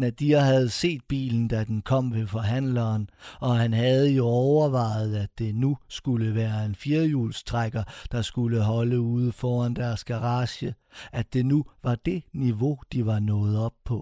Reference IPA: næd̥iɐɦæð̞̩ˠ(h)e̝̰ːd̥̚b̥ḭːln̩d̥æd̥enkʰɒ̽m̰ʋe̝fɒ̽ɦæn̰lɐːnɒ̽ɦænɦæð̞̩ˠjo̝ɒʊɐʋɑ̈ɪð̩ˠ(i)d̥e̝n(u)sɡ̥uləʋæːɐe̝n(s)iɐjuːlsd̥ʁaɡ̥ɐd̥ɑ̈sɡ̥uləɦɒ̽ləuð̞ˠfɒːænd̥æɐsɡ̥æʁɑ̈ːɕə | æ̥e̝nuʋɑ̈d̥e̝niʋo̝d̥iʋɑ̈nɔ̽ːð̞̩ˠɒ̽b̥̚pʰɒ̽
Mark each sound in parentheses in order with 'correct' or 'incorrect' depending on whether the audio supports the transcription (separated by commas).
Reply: incorrect, incorrect, correct, incorrect